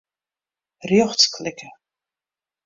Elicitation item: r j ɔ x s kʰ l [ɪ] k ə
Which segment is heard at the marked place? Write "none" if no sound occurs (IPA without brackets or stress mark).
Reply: ɪ